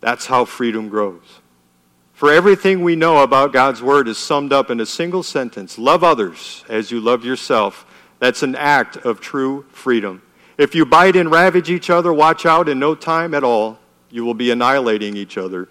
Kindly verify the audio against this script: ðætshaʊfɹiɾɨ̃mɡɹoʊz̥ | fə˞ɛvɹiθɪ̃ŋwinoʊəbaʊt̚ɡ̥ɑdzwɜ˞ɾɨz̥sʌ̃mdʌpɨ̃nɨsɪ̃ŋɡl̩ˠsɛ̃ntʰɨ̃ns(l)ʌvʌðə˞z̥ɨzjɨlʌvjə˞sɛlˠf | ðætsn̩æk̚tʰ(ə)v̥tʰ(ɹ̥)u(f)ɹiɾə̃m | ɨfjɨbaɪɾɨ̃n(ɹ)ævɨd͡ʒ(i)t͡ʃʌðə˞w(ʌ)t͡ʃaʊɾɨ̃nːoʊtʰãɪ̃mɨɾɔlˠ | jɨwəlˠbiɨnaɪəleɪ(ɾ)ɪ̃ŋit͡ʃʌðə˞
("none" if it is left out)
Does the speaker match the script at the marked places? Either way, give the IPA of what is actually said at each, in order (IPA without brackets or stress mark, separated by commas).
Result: l, ʌ, ɹ̥, f, ɹ, i, ɑ, ɾ